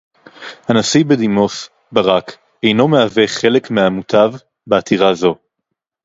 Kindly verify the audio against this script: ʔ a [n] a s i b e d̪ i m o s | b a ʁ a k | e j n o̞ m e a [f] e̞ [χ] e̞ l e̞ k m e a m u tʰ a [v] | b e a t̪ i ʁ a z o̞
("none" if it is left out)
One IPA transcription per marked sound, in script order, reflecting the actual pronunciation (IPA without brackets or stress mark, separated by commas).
n, v, χ, v